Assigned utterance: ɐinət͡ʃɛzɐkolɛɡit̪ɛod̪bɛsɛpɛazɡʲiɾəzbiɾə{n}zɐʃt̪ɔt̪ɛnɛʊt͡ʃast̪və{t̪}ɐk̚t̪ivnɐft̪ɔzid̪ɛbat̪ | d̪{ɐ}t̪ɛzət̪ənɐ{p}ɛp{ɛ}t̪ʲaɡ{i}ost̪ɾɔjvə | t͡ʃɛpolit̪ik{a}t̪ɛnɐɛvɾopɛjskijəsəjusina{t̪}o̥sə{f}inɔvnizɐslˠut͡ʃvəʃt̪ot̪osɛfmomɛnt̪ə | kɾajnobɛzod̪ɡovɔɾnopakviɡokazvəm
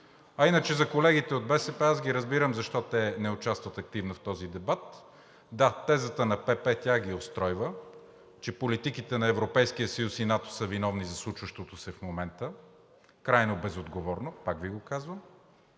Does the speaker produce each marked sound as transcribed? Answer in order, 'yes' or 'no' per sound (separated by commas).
no, yes, no, yes, yes, yes, no, yes, no